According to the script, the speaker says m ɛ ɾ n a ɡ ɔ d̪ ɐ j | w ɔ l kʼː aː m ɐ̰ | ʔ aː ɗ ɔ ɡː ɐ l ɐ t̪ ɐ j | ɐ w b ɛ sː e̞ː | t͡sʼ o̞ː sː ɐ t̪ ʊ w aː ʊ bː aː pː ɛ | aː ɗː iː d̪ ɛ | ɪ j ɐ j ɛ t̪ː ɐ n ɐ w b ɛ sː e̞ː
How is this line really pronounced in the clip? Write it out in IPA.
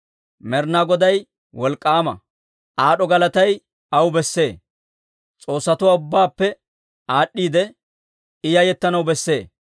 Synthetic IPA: m ɛ ɾ n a ɡ ɔ d̪ ɐ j | w ɔ l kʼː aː m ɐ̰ | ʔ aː ɗ ɔ ɡ ɐ l ɐ t̪ ɐ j | ɐ w b ɛ sː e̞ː | t͡sʼ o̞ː sː ɐ t̪ ʊ w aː ʊ bː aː pː ɛ | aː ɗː iː d̪ ɛ | ɪ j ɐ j ɛ t̪ː ɐ n ɐ w b ɛ sː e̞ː